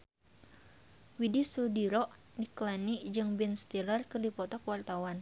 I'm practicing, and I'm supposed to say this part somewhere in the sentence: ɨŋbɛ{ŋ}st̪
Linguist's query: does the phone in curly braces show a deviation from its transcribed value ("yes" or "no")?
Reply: yes